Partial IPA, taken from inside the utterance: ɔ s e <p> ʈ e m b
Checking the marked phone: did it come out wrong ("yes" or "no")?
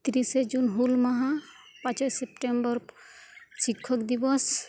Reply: no